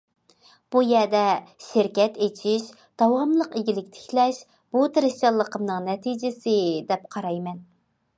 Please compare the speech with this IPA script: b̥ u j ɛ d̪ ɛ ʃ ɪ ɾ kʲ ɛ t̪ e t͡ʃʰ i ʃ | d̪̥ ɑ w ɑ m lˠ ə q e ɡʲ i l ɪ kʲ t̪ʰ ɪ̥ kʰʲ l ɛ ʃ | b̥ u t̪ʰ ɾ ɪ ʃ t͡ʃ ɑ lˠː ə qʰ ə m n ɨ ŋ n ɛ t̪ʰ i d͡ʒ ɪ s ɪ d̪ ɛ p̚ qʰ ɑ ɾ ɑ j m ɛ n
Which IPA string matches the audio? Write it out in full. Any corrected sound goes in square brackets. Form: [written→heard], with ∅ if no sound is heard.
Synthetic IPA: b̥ u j ɛ d̪ ɛ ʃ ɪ ɾ kʲ ɛ t̪ e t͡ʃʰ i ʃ | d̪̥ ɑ w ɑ m lˠ ə q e ɡʲ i l ɪ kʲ t̪ʰ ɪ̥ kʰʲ l ɛ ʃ | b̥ u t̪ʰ ɾ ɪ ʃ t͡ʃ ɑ lˠː ə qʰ ə m n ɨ ŋ n ɛ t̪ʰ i d͡ʒ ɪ s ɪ d̪ ɛ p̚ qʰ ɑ ɾ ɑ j m ɛ n

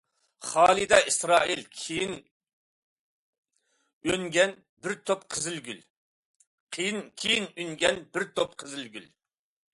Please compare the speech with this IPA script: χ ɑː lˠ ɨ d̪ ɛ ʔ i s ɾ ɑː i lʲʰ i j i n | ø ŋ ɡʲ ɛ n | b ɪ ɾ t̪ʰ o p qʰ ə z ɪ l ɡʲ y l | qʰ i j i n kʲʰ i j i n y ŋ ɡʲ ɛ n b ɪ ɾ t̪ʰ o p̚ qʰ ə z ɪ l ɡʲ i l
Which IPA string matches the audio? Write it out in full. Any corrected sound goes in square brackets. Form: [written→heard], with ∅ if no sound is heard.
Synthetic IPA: χ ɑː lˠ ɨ d̪ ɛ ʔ i s ɾ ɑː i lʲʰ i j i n | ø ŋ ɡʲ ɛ n | b ɪ ɾ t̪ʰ o p qʰ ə z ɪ l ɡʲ y l | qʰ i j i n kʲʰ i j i n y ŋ ɡʲ ɛ n b ɪ ɾ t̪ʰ o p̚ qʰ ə z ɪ l ɡʲ [i→y] l

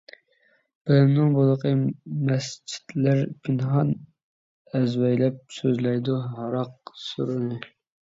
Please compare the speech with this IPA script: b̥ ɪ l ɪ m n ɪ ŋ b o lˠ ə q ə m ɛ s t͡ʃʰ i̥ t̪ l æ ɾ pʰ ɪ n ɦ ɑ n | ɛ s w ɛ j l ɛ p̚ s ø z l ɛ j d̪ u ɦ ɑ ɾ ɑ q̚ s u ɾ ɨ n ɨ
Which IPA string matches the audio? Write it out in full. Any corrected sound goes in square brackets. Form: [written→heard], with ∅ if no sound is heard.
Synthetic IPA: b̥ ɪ l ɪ m n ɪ ŋ b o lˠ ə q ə m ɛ s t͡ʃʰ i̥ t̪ l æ ɾ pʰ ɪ n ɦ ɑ n | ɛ [s→z] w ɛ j l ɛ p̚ s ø z l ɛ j d̪ u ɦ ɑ ɾ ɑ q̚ s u ɾ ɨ n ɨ

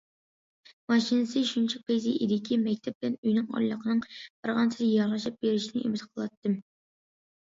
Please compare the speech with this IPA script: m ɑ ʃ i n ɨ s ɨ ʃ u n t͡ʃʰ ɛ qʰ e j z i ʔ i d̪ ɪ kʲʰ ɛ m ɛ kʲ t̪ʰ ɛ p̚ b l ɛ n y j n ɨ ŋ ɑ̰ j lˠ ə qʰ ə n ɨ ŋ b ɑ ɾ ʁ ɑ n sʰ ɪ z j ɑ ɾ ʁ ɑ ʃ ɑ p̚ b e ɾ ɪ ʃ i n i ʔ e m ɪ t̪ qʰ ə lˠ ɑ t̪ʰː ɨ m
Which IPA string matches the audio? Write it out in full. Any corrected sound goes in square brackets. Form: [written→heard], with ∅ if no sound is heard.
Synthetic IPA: m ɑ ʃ i n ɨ s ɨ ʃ u n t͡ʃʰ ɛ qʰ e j z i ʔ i d̪ ɪ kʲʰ [ɛ→i] m ɛ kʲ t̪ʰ ɛ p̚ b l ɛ n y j n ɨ ŋ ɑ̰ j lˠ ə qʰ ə n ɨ ŋ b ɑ ɾ ʁ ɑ n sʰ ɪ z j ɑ ɾ ʁ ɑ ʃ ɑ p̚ b e ɾ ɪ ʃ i n [i→ɪ] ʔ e m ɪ t̪ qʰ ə lˠ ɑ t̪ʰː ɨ m

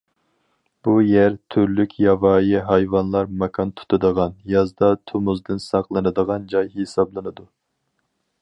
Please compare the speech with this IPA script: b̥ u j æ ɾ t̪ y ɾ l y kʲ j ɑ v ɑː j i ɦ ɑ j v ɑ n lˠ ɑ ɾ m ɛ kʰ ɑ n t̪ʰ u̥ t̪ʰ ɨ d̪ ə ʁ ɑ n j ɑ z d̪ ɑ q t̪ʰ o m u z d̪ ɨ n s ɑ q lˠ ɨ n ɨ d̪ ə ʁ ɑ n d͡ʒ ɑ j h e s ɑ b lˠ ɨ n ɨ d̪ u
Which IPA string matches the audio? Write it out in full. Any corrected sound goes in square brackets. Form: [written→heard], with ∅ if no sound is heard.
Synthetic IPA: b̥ u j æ ɾ [t̪→t̪ʰ] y ɾ l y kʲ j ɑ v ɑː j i ɦ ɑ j v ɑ n lˠ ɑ ɾ m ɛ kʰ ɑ n t̪ʰ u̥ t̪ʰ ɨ d̪ ə ʁ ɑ n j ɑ z d̪ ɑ [q→∅] t̪ʰ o m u z d̪ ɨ n s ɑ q lˠ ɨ n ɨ d̪ ə ʁ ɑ n d͡ʒ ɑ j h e s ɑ b lˠ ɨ n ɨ d̪ u

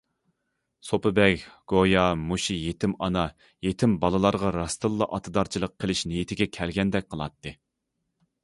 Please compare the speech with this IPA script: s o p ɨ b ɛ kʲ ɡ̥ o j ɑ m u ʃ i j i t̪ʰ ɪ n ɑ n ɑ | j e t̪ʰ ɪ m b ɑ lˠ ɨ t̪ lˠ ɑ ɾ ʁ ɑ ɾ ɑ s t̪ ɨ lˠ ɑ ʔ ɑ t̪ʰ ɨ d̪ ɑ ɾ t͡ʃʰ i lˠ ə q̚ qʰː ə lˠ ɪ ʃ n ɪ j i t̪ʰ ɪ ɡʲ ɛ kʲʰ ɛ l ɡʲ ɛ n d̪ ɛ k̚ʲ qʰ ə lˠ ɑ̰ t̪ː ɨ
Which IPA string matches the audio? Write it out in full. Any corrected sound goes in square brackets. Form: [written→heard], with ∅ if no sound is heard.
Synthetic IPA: s o p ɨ b ɛ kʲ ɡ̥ o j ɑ m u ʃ i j [i→e] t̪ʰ ɪ [n→m] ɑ n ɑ | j e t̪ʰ ɪ m b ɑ lˠ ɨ [t̪→∅] lˠ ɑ ɾ ʁ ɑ ɾ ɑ s t̪ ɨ [lˠ→lˠː] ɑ ʔ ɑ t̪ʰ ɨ d̪ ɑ ɾ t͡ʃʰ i lˠ ə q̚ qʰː ə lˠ ɪ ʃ n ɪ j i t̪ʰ ɪ ɡʲ ɛ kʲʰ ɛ l ɡʲ ɛ n d̪ ɛ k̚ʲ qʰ ə lˠ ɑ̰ t̪ː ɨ

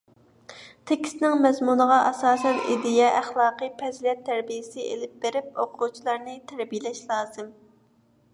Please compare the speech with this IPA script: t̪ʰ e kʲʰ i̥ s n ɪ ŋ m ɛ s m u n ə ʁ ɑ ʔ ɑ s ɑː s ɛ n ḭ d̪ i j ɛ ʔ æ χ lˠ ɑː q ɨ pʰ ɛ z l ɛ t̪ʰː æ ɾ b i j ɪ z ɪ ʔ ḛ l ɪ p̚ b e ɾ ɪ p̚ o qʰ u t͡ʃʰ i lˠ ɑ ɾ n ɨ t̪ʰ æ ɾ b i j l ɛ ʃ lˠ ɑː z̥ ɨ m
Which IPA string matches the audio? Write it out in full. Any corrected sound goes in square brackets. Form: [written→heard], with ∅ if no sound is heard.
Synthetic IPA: t̪ʰ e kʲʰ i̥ s n ɪ ŋ m ɛ [s→z] m u n ə ʁ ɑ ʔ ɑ s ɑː s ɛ n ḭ d̪ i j ɛ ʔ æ χ lˠ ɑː q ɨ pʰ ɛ z l ɛ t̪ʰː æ ɾ b i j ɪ [z→s] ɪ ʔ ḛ l ɪ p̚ b e ɾ ɪ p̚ o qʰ u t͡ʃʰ i lˠ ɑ ɾ n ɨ t̪ʰ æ ɾ b i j l ɛ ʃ lˠ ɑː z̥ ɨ m

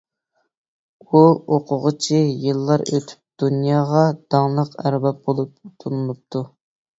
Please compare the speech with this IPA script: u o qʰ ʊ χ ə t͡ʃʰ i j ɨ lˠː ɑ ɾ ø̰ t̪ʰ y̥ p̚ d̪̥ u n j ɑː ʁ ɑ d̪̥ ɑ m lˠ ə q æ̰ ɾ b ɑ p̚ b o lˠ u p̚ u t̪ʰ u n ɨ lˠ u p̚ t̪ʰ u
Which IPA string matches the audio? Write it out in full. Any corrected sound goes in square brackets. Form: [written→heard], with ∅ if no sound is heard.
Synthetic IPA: u o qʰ ʊ [χ→ʁ] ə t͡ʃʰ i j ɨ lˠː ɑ ɾ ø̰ t̪ʰ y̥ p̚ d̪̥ u n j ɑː ʁ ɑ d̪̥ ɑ [m→ŋ] lˠ ə q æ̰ ɾ b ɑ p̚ b o lˠ u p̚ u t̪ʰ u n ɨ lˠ u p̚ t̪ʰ u

